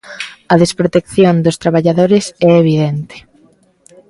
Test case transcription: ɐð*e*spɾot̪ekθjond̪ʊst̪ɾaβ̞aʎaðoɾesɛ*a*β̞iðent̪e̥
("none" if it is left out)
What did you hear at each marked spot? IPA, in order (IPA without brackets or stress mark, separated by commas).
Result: e, e